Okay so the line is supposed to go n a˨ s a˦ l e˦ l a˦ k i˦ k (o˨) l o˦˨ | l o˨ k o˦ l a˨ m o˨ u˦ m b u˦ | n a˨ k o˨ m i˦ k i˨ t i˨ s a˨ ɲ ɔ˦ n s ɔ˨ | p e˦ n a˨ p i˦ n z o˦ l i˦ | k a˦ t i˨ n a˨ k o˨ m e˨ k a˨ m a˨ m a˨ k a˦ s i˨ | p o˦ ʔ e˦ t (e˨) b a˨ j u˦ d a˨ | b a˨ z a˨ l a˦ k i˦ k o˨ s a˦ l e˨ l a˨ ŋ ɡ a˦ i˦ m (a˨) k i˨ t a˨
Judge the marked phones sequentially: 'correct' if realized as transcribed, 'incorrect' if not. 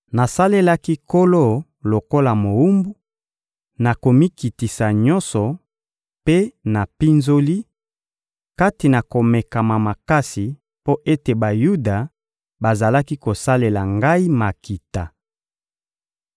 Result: incorrect: o˦, correct, correct

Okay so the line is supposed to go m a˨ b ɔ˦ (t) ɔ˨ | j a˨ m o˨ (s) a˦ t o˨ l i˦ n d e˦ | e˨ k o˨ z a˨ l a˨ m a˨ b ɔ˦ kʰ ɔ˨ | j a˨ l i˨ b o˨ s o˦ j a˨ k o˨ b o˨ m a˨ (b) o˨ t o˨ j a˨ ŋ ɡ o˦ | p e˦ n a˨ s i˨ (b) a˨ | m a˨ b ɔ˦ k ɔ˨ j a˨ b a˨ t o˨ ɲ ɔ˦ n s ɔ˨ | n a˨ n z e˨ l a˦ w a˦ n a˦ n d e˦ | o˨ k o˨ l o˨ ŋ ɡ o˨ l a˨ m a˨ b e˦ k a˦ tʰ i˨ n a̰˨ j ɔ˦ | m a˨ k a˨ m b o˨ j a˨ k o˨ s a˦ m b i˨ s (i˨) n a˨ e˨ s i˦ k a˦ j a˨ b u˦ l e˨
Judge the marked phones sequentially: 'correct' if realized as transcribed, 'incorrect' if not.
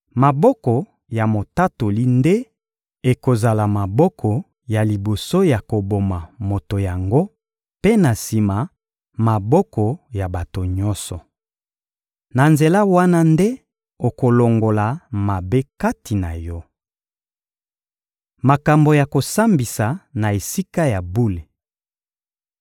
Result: incorrect: k, incorrect: t, incorrect: m, incorrect: m, incorrect: a˨

